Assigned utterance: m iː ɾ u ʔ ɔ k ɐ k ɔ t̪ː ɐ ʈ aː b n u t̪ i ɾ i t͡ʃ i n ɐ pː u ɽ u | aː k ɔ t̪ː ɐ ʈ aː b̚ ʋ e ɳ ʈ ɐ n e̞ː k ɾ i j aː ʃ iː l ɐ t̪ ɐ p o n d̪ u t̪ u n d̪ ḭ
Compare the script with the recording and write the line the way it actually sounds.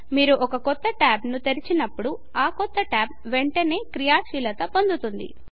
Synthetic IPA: m iː ɾ u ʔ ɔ k ɐ k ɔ t̪ː ɐ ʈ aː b n u t̪ e ɾ i t͡ʃ i n ɐ pː u ɽ u | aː k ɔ t̪ː ɐ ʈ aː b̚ ʋ e ɳ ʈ ɐ n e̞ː k ɾ i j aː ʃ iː l ɐ t̪ ɐ p o n d̪ u t̪ u n d̪ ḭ